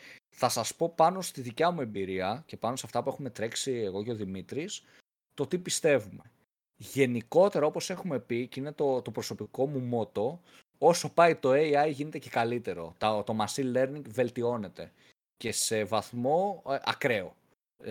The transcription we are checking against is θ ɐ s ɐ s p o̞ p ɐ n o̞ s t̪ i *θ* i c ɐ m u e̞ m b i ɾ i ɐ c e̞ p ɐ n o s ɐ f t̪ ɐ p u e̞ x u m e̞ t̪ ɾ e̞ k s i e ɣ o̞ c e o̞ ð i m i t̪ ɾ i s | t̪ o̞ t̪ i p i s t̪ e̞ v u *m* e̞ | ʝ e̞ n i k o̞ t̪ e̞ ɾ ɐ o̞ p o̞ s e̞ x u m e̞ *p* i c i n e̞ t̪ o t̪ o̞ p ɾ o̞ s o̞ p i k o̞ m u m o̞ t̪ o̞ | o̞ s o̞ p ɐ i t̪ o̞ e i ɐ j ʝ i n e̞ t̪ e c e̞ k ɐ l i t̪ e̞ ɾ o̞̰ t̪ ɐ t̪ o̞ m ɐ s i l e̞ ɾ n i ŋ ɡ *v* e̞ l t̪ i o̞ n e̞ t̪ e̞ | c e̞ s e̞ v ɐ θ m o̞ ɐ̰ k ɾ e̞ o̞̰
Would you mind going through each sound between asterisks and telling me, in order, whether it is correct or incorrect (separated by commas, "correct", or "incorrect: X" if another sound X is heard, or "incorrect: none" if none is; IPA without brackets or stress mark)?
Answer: incorrect: ð, correct, correct, correct